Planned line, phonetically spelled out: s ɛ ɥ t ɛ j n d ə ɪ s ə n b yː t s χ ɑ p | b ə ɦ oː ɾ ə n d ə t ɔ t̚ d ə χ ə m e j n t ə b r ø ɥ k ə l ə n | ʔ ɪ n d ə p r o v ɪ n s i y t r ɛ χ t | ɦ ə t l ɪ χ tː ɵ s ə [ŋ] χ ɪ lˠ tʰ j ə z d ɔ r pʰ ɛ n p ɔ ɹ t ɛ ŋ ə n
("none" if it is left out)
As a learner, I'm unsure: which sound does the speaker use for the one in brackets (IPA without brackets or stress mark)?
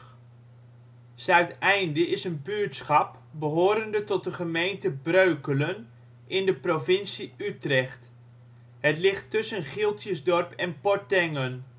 n